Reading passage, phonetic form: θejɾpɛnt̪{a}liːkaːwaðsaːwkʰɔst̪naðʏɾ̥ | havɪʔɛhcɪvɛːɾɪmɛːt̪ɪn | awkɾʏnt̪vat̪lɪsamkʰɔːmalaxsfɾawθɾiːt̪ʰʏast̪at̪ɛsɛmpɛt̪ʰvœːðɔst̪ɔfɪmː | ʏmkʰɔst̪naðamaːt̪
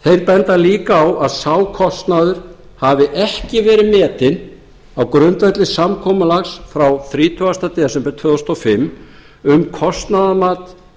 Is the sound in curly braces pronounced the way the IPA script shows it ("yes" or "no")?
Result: yes